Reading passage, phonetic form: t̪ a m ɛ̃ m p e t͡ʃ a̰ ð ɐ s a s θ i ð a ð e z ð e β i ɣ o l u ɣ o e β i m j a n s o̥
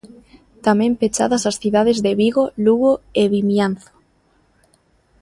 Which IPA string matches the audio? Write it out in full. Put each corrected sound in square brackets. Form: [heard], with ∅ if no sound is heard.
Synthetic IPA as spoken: t̪ a m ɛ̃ m p e t͡ʃ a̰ ð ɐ s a s θ i ð a ð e z ð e β i ɣ o l u ɣ o e β i m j a n [θ] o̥